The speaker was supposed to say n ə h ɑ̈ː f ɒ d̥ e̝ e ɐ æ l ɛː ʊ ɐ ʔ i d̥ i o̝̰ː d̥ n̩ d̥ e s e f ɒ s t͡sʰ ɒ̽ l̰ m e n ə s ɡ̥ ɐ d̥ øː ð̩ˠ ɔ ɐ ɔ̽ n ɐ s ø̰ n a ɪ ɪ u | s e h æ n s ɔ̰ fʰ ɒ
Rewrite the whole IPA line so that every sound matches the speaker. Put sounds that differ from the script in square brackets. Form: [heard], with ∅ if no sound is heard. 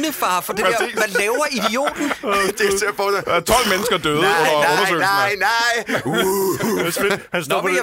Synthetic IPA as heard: n ə [f] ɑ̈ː f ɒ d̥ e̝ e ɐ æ l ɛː ʊ ɐ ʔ i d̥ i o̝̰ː d̥ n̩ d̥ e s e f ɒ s t͡sʰ ɒ̽ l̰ m e n ə s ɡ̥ ɐ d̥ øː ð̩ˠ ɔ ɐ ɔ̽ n ɐ s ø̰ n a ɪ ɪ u | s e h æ n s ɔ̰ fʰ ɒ